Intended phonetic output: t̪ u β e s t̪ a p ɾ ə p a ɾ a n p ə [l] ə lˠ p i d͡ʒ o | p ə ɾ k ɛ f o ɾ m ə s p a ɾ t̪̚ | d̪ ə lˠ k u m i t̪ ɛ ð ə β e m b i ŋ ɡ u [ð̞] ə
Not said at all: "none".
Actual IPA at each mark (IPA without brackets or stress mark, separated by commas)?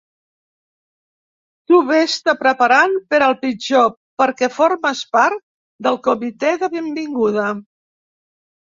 ɾ, ð̞